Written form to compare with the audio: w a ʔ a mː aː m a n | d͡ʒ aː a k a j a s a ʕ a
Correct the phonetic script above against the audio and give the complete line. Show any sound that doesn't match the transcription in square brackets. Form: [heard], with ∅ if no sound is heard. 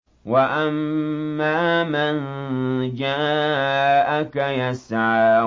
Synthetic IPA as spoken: w a ʔ a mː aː m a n | d͡ʒ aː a k a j a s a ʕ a